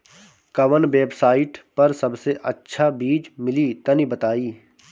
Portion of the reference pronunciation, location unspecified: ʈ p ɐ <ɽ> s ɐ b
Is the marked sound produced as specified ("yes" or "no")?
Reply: no